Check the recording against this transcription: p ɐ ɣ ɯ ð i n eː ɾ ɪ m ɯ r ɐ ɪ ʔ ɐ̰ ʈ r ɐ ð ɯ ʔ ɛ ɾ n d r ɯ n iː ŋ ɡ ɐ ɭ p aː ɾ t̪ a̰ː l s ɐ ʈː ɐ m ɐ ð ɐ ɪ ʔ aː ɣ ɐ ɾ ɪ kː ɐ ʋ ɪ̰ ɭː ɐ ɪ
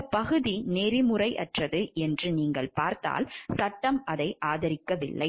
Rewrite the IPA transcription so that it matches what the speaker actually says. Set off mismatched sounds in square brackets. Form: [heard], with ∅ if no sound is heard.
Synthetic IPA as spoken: p ɐ ɣ ɯ ð i n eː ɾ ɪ m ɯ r ɐ ɪ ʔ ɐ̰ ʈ r ɐ ð ɯ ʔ ɛ [∅] n d r ɯ n iː ŋ ɡ ɐ ɭ p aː ɾ t̪ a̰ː l s ɐ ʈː ɐ m ɐ ð ɐ ɪ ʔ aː [ð] ɐ ɾ ɪ kː ɐ ʋ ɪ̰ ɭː ɐ ɪ